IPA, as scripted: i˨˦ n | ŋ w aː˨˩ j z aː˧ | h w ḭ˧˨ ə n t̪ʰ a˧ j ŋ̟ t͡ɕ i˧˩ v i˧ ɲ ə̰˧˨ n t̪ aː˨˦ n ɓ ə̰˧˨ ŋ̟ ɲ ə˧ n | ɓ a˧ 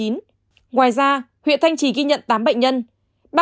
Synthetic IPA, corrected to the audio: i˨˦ n | ŋ w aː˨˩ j z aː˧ | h w ḭ˧˨ ə n t̪ʰ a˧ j ŋ̟ t͡ɕ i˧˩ ɣ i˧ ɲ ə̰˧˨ n t̪ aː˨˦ m ɓ ə̰˧˨ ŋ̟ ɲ ə˧ n | ɓ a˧